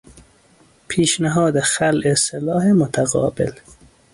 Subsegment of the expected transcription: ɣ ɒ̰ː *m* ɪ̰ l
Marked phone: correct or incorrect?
incorrect